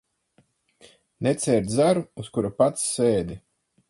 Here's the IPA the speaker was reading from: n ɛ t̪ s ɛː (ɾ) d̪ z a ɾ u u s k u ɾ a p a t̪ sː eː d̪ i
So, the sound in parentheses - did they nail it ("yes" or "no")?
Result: yes